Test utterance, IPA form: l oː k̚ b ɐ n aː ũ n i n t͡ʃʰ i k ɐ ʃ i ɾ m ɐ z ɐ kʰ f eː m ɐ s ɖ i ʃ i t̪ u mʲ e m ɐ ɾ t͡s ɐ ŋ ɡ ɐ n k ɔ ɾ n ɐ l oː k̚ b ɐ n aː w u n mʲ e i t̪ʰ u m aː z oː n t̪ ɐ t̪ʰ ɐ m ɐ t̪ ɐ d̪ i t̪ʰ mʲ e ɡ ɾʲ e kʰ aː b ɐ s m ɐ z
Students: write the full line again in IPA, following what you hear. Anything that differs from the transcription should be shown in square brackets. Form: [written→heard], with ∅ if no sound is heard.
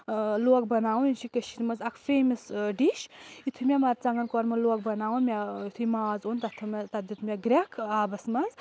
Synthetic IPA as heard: l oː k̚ b ɐ n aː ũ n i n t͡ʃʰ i k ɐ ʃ i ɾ m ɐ z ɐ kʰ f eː m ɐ s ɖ i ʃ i [t̪→t̪ʰ] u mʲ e m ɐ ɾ t͡s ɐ ŋ ɡ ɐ n k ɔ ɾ [n→m] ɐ l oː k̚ b ɐ n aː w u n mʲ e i t̪ʰ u m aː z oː n t̪ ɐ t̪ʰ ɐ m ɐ t̪ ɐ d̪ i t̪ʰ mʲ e ɡ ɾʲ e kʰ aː b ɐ s m ɐ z